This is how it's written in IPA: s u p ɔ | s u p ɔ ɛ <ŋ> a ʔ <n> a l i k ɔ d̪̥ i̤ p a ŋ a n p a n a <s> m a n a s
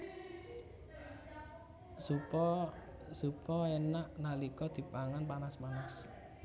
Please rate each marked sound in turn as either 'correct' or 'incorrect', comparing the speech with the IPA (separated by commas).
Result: incorrect, correct, correct